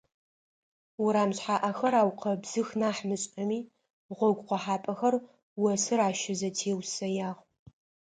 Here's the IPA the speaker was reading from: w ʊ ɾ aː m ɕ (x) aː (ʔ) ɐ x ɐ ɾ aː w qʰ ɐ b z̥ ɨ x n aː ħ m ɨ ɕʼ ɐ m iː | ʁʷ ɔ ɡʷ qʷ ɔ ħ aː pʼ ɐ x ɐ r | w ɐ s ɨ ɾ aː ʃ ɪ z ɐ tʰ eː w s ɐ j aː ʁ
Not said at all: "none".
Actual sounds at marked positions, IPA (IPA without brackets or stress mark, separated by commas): ħ, ʔ